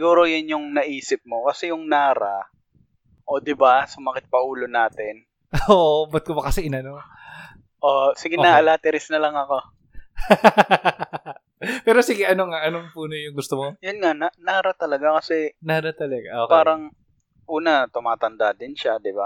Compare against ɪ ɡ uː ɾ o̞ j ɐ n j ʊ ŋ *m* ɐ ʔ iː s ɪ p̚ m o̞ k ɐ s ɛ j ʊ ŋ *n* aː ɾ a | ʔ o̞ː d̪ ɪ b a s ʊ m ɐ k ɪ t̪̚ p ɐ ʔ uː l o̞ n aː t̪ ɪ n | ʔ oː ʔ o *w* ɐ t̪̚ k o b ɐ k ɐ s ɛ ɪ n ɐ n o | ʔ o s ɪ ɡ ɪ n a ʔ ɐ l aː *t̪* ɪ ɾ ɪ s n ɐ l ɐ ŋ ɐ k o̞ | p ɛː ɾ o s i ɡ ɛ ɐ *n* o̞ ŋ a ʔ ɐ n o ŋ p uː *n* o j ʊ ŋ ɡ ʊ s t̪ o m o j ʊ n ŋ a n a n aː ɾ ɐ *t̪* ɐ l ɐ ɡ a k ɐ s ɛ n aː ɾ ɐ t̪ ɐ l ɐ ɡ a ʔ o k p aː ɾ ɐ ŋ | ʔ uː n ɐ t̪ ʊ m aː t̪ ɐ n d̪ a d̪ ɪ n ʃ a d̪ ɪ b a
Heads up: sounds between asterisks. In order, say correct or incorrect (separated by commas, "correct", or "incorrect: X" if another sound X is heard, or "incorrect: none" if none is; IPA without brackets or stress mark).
incorrect: n, correct, incorrect: b, correct, correct, correct, correct